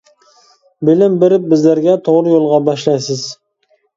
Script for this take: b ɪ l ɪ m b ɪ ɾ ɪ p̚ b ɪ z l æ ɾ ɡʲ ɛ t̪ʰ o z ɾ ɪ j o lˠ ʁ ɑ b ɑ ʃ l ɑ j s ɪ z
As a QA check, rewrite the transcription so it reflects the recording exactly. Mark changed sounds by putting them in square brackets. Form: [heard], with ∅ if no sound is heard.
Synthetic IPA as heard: b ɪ l ɪ m b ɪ ɾ ɪ p̚ b ɪ z l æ ɾ ɡʲ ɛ t̪ʰ o [ʁ] ɾ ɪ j o lˠ ʁ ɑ b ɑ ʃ l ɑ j s ɪ z